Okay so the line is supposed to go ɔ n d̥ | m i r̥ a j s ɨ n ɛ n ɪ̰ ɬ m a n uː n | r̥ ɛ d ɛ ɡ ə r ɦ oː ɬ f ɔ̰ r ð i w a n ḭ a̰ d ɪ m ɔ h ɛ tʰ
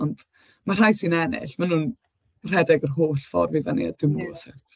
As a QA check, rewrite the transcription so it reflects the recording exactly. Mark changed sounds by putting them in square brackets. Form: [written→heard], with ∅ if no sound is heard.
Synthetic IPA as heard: ɔ n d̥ | m [i→a] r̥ a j s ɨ n ɛ n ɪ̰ ɬ m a n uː n | r̥ ɛ d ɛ ɡ ə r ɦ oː ɬ f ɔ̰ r [ð→v] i [w→v] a n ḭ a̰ d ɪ m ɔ [h→s] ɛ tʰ